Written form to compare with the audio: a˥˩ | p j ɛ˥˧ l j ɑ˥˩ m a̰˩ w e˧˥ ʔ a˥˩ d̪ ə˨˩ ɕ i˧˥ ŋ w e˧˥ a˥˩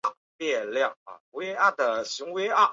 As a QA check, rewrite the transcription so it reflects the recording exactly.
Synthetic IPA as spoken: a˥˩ | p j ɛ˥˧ l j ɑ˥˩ ŋ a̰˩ w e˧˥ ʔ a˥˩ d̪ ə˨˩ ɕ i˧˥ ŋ w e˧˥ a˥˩

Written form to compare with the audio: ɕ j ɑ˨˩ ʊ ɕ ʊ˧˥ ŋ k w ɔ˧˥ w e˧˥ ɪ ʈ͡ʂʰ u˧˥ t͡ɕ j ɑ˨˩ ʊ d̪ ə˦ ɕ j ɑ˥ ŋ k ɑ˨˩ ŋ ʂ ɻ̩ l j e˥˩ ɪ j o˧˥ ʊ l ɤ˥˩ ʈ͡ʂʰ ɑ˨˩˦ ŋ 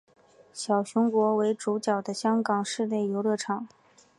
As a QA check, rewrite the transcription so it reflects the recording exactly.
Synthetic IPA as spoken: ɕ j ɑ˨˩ ʊ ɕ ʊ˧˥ ŋ k w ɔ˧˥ w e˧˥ ɪ ʈ͡ʂ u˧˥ t͡ɕ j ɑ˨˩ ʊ d̪ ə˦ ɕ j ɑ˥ ŋ k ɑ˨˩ ŋ ʂ ɻ̩ l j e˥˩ ɪ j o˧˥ ʊ l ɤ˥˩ ʈ͡ʂʰ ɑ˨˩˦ ŋ

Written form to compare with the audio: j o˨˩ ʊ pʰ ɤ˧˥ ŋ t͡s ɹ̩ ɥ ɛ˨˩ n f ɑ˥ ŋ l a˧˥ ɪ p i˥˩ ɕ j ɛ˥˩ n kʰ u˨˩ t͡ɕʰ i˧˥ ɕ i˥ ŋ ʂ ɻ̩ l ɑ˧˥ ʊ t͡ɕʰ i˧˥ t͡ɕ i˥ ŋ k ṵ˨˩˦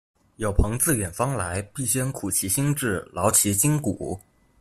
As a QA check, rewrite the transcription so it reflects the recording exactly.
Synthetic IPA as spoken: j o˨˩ ʊ pʰ ɤ˧˥ ŋ t͡s ɹ̩ ɥ ɛ˨˩ n f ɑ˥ ŋ l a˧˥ ɪ p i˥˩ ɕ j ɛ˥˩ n kʰ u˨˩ t͡ɕʰ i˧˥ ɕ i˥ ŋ ʈ͡ʂ ɻ̩ l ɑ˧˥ ʊ t͡ɕʰ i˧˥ t͡ɕ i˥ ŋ k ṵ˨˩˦

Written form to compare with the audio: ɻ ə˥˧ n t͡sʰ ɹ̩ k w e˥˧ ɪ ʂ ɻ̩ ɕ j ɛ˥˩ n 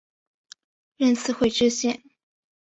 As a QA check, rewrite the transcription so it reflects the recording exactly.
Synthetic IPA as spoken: ɻ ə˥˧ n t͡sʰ ɹ̩ x w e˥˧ ɪ ʈ͡ʂ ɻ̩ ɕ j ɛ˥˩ n

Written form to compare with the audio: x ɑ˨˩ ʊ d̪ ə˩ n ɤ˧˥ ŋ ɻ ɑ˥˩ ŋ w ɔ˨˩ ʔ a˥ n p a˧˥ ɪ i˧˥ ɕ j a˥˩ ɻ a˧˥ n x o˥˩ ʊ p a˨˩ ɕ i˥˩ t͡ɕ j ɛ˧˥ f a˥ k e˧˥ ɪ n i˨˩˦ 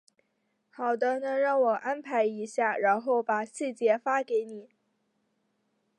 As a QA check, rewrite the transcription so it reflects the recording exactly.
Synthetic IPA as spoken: x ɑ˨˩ ʊ d̪ ə˦ n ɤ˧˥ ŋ ɻ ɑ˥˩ ŋ w ɔ˨˩ ʔ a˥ n pʰ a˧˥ ɪ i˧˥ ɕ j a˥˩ ɻ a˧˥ n x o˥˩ ʊ p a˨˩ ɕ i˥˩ t͡ɕ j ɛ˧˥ f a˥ k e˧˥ ɪ n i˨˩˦

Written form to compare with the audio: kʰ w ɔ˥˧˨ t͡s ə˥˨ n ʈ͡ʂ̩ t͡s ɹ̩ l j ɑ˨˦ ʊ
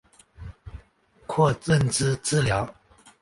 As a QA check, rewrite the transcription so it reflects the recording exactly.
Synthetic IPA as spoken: kʰ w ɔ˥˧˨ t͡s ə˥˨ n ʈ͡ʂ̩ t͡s ɹ̩ l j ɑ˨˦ ʊ

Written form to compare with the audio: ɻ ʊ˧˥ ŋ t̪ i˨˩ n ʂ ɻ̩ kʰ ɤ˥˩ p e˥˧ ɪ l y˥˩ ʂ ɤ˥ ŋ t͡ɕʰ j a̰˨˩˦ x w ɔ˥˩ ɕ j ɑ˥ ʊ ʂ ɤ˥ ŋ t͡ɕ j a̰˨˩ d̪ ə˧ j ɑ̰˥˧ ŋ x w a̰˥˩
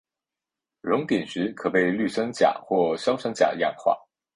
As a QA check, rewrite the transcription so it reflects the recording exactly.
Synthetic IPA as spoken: ɻ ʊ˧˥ ŋ t̪ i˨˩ n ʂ ɻ̩ kʰ ɤ˨˩ p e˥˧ ɪ l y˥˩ ʂ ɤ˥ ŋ t͡ɕ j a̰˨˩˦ x w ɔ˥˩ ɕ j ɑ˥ ʊ ʂ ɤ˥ ŋ t͡ɕ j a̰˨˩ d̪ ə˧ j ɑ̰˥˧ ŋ x w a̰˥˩

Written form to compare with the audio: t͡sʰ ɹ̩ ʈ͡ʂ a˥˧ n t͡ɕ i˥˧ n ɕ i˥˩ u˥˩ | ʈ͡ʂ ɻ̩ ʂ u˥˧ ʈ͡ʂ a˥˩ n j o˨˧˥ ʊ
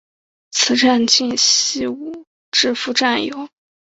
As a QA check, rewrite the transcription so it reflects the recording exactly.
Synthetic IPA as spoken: t͡sʰ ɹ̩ ʈ͡ʂ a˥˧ n t͡ɕ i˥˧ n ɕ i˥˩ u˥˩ | ʈ͡ʂ ɻ̩ f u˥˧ ʈ͡ʂ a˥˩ n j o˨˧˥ ʊ

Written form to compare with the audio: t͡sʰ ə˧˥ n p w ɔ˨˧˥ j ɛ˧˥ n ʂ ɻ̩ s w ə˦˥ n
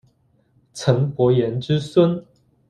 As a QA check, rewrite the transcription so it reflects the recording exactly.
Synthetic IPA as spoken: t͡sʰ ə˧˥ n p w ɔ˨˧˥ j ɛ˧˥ n ʈ͡ʂ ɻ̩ s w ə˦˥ n

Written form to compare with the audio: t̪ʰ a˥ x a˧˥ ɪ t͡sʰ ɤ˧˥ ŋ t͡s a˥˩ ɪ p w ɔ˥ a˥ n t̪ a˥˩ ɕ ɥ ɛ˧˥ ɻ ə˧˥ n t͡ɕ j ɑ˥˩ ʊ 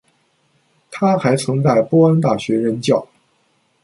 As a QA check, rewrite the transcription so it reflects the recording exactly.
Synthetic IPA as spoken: t̪ʰ a˥ x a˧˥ ɪ t͡sʰ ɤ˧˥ ŋ t͡s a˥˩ ɪ p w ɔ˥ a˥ n t̪ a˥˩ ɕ ɥ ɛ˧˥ ɻ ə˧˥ n t͡ɕ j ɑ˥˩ ʊ

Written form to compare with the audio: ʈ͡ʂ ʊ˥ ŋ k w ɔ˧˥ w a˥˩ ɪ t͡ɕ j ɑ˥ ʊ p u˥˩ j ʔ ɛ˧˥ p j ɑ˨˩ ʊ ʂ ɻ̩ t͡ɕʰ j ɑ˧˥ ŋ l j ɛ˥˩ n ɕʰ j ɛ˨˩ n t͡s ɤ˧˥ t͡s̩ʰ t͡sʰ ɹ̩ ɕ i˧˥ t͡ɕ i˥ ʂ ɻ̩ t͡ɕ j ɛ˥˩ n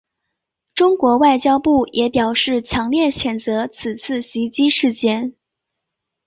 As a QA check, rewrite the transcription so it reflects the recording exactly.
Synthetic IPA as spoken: ʈ͡ʂ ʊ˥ ŋ k w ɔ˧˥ w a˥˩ ɪ t͡ɕ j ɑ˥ ʊ p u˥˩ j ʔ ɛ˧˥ p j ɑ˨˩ ʊ ʂ ɻ̩ t͡ɕʰ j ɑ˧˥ ŋ l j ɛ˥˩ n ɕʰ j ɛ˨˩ n t͡s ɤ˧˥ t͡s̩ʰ t͡sʰ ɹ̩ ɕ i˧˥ t͡ɕ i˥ ʂ ɻ̩ t͡ɕ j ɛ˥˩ n

